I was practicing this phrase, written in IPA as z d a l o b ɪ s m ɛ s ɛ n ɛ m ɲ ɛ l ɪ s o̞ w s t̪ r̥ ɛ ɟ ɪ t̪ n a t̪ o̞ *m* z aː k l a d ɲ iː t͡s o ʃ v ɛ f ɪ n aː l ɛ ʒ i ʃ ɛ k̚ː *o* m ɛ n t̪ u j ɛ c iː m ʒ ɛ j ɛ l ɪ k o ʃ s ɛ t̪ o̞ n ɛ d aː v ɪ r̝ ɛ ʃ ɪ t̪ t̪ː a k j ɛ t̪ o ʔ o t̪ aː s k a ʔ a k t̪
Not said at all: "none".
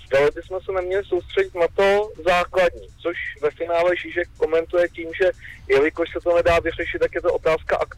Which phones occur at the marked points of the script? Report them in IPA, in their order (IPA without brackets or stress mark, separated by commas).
none, o